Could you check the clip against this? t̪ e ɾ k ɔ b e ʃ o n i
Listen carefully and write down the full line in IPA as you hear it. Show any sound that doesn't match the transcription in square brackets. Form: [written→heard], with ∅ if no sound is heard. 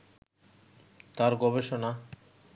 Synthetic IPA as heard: t̪ [e→a] ɾ [k→ɡ] ɔ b e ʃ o n [i→a]